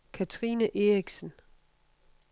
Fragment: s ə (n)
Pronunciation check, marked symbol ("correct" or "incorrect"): correct